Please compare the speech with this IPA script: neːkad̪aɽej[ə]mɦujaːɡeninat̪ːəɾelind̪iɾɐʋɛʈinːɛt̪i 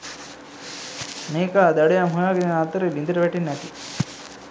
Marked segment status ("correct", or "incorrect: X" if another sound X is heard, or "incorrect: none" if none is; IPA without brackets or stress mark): incorrect: a